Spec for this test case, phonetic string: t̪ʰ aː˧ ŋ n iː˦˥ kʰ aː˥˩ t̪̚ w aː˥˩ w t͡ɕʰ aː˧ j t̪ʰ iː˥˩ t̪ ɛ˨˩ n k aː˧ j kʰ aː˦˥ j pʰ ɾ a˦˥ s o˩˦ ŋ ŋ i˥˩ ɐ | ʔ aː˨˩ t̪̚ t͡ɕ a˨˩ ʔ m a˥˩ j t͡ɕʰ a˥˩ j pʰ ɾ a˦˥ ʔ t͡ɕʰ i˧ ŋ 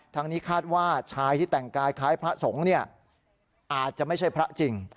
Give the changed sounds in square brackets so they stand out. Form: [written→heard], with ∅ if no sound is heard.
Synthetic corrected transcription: t̪ʰ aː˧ ŋ n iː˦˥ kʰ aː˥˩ t̪̚ w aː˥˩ [w→∅] t͡ɕʰ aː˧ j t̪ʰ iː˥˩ t̪ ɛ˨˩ [n→ŋ] k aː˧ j kʰ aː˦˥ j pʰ ɾ a˦˥ s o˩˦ ŋ [ŋ→n] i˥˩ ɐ | ʔ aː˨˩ t̪̚ t͡ɕ a˨˩ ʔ m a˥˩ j t͡ɕʰ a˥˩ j pʰ ɾ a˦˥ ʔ [t͡ɕʰ→t͡ɕ] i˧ ŋ